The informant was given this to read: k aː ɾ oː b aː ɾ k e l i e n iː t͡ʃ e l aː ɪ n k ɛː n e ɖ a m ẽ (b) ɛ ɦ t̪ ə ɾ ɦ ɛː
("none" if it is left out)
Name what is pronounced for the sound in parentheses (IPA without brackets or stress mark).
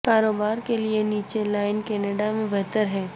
b